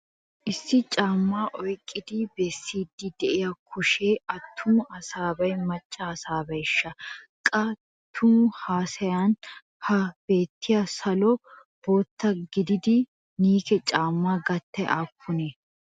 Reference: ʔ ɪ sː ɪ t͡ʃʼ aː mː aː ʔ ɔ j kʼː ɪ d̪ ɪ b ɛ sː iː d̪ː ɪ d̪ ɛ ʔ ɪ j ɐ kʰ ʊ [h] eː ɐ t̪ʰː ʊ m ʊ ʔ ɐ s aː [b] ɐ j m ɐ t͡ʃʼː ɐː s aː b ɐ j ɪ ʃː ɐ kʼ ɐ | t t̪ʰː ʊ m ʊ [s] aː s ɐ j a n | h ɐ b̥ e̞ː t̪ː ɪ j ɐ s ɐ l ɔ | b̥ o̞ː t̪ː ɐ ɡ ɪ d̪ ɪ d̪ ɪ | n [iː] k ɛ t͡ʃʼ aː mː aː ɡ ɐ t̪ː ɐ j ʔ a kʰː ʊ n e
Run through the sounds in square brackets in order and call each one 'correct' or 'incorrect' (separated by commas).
incorrect, correct, incorrect, correct